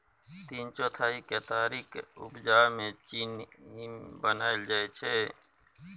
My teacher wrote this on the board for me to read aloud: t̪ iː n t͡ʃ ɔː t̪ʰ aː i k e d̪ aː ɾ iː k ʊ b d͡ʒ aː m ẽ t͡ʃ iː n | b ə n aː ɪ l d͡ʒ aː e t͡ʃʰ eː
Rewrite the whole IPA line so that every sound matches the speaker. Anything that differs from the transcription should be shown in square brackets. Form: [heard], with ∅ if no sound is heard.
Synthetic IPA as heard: t̪ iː n t͡ʃ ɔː t̪ʰ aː i k e [t̪] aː ɾ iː k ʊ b d͡ʒ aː m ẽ t͡ʃ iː n | b ə n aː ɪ l d͡ʒ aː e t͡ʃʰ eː